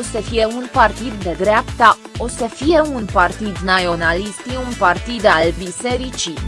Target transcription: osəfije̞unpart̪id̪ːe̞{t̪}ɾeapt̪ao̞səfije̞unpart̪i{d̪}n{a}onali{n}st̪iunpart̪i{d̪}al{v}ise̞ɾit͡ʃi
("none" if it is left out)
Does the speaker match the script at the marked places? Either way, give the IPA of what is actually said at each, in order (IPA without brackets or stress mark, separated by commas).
d̪, d̪, a, none, d̪, b